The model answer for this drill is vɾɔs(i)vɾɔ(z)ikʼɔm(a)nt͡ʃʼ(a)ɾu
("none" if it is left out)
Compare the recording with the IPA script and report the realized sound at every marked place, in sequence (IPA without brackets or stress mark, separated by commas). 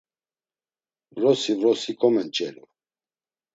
i, s, ɛ, ɛ